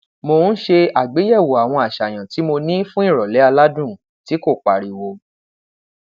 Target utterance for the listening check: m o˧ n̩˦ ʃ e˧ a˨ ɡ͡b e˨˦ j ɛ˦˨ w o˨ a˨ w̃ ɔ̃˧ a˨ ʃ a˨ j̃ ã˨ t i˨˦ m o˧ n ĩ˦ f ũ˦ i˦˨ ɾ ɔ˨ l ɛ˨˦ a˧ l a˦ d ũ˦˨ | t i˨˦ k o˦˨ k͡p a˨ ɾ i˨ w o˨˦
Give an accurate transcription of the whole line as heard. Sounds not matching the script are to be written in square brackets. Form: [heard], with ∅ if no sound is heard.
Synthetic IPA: m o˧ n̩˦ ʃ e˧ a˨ ɡ͡b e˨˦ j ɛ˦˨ w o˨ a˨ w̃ ɔ̃˧ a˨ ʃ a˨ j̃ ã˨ t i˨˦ m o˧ n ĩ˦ f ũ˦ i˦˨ ɾ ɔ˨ l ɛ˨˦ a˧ l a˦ d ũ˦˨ | t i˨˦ k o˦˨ k͡p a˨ ɾ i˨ w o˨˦